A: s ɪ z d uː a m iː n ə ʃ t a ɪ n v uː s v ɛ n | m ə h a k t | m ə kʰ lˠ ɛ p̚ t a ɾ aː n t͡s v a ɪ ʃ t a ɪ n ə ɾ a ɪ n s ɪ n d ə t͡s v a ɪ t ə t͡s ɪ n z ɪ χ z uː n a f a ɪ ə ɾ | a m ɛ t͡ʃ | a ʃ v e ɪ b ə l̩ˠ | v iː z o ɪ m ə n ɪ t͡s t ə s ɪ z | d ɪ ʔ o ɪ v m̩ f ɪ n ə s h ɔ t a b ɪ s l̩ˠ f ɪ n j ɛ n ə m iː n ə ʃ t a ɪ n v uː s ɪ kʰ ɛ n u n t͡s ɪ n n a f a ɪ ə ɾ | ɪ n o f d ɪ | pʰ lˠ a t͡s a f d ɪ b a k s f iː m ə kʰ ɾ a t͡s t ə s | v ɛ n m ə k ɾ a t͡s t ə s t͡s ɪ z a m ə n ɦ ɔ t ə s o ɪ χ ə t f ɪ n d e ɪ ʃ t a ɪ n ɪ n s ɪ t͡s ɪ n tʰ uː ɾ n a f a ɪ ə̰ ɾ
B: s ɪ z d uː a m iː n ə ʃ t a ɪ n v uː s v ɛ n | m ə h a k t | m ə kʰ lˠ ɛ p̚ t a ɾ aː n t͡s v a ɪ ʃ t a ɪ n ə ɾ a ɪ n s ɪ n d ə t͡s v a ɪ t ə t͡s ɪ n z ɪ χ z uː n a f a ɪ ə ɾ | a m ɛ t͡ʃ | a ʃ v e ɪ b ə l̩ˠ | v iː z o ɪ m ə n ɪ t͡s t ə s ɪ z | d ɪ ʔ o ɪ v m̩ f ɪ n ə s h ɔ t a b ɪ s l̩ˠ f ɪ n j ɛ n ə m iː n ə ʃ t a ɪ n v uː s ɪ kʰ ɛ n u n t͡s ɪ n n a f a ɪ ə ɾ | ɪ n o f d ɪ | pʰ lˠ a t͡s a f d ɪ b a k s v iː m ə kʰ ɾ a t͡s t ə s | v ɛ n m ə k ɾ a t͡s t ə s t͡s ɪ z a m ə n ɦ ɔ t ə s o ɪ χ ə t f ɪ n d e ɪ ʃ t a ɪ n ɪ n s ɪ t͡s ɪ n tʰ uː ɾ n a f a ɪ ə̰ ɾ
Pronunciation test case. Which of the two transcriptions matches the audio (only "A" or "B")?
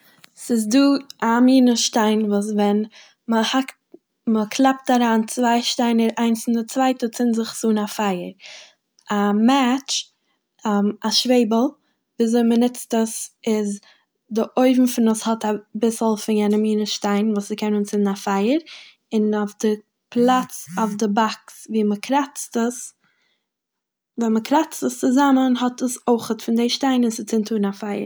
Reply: B